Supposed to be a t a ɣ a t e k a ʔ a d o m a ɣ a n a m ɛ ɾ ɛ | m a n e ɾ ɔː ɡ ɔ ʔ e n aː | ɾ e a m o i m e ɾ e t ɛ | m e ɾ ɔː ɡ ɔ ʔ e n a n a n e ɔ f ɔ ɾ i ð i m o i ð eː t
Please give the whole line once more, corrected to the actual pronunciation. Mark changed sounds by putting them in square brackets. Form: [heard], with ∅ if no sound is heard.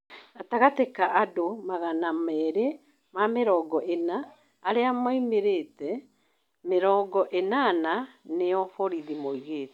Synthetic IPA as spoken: a t a ɣ a t e k a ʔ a d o m a ɣ a n a m ɛ ɾ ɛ | m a [m] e ɾ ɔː ɡ ɔ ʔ e n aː | ɾ e a m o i m e ɾ e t ɛ | m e ɾ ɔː ɡ ɔ ʔ e n a n a n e ɔ f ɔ ɾ i ð i m o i [ɣ] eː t